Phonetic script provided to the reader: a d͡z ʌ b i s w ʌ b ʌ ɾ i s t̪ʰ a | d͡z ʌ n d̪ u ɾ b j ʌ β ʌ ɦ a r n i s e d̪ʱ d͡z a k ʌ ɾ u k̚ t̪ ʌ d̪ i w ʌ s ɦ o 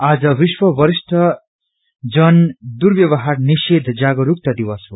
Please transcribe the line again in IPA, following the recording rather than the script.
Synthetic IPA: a d͡z ʌ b i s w ʌ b ʌ ɾ i s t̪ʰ ʌ | d͡z ʌ n d̪ u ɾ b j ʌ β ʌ ɦ a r n i s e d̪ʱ d͡z a ɡ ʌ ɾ u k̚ t̪ ʌ d̪ i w ʌ s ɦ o